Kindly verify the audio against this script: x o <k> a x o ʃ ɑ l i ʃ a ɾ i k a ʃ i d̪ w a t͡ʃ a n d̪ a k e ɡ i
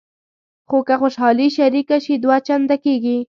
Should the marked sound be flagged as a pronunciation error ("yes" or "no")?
no